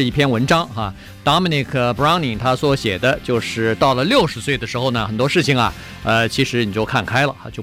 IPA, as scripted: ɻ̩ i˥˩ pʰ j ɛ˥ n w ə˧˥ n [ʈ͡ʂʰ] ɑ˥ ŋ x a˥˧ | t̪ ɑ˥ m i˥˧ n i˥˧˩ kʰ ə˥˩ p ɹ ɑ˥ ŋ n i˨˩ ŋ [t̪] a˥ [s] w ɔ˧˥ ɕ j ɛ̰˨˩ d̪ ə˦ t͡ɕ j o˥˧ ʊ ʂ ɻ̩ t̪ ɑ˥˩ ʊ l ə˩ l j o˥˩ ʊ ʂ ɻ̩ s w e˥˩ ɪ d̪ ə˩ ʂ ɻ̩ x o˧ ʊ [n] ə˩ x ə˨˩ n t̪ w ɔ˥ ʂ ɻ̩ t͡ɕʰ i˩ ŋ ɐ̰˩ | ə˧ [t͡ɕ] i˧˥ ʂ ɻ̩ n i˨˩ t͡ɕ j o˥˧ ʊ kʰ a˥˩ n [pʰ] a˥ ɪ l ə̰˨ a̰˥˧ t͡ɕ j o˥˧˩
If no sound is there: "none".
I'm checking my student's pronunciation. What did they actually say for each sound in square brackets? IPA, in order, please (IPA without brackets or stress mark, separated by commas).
ʈ͡ʂ, t̪ʰ, s, n, t͡ɕʰ, kʰ